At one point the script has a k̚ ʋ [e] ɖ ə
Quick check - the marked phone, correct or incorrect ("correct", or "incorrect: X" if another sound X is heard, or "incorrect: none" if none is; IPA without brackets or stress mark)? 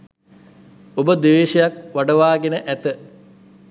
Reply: incorrect: a